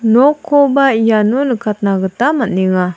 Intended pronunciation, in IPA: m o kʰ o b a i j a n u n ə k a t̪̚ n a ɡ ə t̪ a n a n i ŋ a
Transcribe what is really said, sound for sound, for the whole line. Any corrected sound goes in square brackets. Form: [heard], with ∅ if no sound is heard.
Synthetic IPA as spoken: [n] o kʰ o b a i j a n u n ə k a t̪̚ n a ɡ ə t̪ a [m] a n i ŋ a